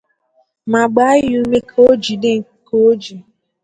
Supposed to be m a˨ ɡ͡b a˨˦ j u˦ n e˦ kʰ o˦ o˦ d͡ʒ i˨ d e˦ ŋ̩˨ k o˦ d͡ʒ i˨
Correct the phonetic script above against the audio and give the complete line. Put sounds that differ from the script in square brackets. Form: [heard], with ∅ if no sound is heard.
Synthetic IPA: m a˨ ɡ͡b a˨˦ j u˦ [m] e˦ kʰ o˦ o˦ d͡ʒ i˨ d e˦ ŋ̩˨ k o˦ d͡ʒ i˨